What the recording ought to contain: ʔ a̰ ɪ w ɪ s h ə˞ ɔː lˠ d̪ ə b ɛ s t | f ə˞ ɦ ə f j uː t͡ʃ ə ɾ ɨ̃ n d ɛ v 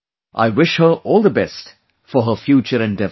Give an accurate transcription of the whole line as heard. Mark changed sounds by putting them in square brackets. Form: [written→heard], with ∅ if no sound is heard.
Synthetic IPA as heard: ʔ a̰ ɪ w ɪ [s→ʃ] h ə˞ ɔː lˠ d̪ ə b ɛ s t | f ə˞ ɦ ə f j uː t͡ʃ ə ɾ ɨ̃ n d ɛ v